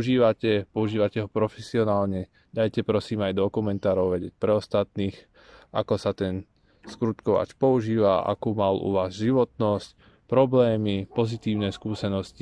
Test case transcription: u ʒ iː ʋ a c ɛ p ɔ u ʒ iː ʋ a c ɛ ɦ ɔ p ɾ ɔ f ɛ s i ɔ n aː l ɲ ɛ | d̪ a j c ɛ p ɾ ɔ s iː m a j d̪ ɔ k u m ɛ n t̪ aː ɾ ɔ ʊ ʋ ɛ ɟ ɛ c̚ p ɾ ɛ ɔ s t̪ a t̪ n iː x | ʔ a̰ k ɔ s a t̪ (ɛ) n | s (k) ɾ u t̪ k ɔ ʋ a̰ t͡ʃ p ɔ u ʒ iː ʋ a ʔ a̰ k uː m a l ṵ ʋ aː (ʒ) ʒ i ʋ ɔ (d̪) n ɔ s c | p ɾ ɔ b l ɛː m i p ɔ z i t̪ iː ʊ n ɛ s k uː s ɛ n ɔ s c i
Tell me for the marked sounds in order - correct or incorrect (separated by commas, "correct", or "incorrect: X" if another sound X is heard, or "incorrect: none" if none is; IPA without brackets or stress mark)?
correct, correct, incorrect: z, incorrect: t̪